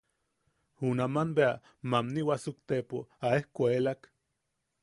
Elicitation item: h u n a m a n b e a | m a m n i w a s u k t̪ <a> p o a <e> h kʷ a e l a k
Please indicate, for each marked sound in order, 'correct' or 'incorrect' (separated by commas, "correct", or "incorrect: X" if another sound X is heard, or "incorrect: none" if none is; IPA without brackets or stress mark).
incorrect: e, correct